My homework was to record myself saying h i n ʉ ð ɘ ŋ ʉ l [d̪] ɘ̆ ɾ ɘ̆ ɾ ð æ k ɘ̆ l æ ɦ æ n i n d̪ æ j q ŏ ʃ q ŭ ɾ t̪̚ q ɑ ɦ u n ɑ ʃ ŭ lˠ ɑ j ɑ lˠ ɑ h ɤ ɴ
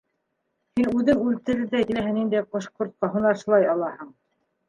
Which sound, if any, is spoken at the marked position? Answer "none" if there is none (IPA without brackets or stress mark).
t̪